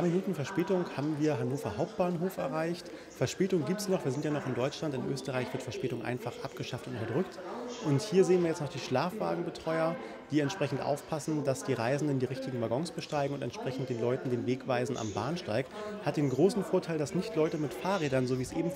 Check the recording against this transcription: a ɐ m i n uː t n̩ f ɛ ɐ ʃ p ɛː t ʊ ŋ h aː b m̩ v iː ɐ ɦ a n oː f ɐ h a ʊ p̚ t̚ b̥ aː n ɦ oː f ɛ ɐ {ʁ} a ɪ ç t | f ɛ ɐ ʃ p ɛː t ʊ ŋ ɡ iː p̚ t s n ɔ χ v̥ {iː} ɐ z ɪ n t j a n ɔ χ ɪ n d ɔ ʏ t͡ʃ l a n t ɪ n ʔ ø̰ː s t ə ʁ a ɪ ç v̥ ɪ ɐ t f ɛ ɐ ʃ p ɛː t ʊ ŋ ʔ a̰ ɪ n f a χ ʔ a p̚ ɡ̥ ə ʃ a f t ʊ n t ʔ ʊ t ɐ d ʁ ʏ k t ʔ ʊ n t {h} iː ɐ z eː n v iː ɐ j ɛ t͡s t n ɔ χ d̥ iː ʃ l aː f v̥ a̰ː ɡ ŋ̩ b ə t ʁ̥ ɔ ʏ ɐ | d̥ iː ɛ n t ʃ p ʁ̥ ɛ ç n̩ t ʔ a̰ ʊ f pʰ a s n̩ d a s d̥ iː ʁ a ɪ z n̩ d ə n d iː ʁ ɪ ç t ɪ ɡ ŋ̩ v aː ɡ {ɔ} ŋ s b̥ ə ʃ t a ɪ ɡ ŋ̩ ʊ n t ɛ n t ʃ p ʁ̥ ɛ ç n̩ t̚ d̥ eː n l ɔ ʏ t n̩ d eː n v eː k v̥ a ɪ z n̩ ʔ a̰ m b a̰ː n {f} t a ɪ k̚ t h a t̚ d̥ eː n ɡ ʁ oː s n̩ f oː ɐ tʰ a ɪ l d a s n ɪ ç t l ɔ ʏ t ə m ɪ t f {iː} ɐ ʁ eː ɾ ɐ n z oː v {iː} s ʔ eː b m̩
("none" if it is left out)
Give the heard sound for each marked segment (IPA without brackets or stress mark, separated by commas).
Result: ʁ, iː, h, ɔ, ʃ, aː, iː